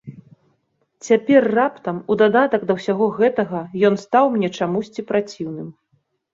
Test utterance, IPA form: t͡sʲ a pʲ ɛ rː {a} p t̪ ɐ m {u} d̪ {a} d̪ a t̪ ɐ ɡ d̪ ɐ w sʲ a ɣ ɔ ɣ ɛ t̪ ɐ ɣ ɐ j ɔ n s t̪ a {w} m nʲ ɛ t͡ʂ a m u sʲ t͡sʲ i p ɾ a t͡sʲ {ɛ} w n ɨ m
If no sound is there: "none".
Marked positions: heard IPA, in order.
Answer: a, u, a, w, i

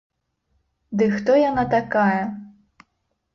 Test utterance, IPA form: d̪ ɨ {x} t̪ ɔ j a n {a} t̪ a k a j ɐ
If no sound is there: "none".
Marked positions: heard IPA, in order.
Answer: x, a

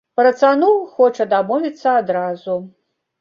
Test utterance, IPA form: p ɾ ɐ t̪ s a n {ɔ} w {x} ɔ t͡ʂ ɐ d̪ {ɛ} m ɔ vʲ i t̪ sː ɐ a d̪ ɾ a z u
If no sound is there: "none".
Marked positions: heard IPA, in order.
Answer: u, x, a

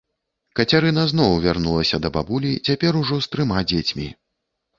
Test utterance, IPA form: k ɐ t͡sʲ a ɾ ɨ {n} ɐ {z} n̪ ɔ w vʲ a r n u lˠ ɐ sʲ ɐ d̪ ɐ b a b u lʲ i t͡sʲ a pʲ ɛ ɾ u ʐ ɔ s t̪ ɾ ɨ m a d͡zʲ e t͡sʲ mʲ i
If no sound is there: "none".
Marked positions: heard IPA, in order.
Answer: n, z

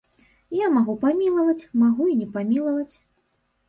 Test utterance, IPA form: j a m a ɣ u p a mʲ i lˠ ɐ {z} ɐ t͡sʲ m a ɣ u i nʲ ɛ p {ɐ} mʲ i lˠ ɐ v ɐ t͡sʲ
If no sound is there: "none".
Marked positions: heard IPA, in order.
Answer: v, a

